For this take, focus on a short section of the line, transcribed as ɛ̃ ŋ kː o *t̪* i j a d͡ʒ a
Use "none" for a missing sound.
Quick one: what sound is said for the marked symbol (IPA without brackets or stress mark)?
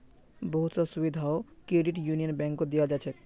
d̪